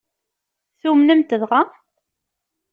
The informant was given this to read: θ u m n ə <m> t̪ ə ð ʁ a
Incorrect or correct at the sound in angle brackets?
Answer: correct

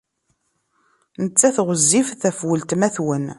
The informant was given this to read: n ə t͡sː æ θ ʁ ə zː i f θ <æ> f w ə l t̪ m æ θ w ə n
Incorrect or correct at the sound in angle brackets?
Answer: correct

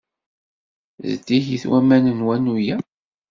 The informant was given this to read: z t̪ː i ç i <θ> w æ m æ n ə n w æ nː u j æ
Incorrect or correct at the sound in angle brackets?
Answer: correct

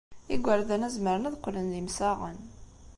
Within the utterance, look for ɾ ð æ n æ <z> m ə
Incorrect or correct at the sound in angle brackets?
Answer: correct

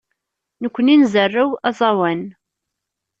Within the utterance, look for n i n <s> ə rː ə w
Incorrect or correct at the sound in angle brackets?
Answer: incorrect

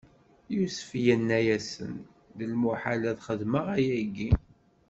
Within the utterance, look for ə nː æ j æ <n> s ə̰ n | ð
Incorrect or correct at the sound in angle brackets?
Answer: incorrect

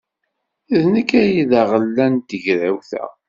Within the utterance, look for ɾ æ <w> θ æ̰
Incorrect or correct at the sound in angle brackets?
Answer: correct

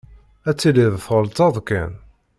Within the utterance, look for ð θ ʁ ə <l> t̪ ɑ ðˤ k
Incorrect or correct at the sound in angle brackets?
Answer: correct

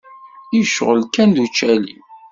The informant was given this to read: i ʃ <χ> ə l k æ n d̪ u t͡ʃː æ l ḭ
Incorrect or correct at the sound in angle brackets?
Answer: incorrect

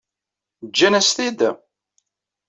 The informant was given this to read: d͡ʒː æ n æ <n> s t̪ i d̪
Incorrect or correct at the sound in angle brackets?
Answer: incorrect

